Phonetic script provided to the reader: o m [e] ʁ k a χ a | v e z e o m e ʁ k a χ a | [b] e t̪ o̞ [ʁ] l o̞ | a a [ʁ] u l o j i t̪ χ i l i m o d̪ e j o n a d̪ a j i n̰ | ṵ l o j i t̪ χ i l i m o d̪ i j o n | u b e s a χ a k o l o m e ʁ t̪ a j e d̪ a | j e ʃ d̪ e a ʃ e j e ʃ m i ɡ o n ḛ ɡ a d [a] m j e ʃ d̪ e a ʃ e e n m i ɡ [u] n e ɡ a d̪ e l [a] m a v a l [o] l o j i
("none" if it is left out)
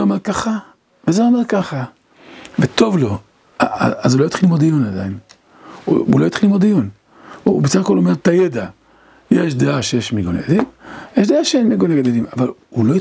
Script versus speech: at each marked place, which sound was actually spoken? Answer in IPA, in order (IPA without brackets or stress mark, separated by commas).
e, v, v, z, i, o, i, u